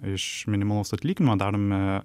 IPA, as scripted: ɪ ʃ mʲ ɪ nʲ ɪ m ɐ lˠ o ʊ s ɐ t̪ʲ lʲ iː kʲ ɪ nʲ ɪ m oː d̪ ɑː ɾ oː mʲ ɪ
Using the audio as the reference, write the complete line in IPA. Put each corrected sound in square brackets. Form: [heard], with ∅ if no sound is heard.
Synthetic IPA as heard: ɪ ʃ mʲ ɪ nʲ ɪ m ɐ lˠ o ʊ s ɐ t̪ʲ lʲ iː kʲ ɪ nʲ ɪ m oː d̪ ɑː ɾ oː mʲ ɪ